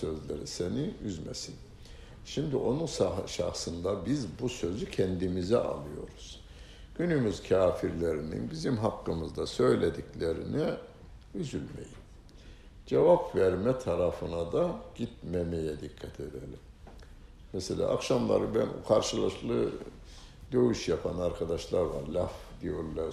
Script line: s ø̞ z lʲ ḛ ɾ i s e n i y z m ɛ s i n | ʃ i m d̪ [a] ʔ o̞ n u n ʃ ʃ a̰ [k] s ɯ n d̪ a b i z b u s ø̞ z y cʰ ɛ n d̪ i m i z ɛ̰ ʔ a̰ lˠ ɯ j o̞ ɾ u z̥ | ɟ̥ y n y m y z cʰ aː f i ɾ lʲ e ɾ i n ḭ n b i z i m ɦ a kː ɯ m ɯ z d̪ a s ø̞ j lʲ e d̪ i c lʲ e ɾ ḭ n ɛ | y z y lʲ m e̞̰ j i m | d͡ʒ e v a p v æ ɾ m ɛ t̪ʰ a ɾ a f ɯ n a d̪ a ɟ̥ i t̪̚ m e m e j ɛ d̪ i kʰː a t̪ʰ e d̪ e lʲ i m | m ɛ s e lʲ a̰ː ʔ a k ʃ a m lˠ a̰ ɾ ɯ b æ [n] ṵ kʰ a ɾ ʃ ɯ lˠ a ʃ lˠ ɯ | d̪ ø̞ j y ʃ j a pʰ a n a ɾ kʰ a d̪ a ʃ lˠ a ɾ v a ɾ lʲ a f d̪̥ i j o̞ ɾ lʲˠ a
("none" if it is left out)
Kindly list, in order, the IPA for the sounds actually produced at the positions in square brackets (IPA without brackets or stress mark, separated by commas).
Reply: i, x, n